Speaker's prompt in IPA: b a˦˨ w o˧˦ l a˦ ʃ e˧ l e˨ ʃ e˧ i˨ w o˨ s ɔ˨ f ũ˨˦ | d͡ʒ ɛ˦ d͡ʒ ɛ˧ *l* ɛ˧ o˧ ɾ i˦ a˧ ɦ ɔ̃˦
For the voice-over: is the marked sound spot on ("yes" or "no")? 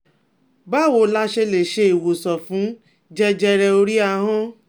no